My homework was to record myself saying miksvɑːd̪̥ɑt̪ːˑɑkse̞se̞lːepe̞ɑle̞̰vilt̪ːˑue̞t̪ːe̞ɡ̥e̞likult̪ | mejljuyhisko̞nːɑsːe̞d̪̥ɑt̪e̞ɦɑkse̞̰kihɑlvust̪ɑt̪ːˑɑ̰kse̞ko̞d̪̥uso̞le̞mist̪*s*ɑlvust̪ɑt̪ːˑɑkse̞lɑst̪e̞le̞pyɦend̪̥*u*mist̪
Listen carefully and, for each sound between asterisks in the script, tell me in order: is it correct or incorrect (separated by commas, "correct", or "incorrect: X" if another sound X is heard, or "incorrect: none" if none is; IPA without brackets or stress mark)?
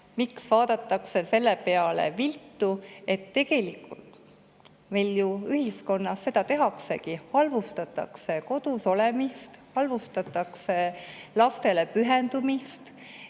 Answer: incorrect: h, correct